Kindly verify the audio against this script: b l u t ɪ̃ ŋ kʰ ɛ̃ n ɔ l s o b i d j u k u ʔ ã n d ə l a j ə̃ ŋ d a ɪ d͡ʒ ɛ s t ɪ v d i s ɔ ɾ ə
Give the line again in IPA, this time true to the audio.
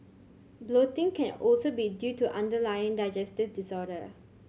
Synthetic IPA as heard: b l o t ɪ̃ ŋ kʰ ɛ̃ n ɔ l s o b i d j u t u ʔ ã n d ə l a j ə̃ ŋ d a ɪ d͡ʒ ɛ s t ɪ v d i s ɔ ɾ ə